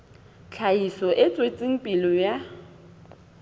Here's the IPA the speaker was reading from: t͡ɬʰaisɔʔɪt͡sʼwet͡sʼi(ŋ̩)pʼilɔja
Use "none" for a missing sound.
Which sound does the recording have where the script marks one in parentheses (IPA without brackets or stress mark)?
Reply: ŋ̩